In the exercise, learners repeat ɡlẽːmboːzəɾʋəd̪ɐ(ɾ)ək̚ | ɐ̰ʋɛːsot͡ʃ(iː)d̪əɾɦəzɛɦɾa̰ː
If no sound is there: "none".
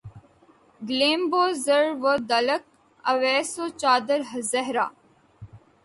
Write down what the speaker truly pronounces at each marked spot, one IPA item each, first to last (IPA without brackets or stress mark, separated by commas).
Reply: l, aː